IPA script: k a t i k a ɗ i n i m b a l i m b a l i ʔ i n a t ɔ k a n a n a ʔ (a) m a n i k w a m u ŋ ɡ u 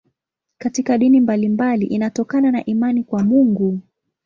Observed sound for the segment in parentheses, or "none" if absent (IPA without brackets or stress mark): i